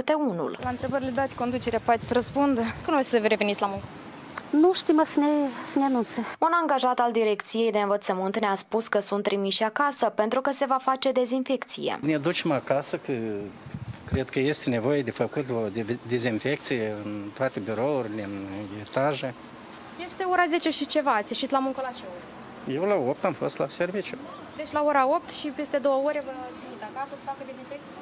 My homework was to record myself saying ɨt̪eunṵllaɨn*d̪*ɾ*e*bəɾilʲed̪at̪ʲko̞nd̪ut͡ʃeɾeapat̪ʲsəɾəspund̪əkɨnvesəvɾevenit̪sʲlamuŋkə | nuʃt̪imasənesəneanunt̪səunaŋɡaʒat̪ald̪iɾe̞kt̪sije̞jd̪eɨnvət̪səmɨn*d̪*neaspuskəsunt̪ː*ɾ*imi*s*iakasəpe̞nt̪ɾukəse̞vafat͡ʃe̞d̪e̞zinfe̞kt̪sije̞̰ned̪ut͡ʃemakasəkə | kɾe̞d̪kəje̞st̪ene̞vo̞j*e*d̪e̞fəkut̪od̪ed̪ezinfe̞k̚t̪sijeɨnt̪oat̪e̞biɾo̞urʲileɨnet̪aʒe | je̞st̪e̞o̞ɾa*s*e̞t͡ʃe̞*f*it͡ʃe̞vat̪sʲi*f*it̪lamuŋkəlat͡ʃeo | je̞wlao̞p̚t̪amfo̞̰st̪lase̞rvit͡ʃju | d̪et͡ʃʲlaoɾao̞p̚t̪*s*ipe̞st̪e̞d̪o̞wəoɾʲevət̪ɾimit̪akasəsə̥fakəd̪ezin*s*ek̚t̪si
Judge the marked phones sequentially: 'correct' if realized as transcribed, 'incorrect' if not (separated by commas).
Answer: incorrect, correct, incorrect, correct, incorrect, correct, incorrect, incorrect, incorrect, incorrect, incorrect